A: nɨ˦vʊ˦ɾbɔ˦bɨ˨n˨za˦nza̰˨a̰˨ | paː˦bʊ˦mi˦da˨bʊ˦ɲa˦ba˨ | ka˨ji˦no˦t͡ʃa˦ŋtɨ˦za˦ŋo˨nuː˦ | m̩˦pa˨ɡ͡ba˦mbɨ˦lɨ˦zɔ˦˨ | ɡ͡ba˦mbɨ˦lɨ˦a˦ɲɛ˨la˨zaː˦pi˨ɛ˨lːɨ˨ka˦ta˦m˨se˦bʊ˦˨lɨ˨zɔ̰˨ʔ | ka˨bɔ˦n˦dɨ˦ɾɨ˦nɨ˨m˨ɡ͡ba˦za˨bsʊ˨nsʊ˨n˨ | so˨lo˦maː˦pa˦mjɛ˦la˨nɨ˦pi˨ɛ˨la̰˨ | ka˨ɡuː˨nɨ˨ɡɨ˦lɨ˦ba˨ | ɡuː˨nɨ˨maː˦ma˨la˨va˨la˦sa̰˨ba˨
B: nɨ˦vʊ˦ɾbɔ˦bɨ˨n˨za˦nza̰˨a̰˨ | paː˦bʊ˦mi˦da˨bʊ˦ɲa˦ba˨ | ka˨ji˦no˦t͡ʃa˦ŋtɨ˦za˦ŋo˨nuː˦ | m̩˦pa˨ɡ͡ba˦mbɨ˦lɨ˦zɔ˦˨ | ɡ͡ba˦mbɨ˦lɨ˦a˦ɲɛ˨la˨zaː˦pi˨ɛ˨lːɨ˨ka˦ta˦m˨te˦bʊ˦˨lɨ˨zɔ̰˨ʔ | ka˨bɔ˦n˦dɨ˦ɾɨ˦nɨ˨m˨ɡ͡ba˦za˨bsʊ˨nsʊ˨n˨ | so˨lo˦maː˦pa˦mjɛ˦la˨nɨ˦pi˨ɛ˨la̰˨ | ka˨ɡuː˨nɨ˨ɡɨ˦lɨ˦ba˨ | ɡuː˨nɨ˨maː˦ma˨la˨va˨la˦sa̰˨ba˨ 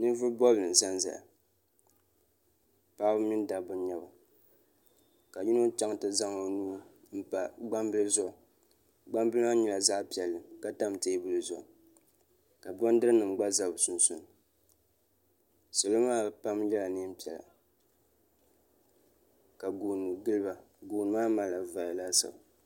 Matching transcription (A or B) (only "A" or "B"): B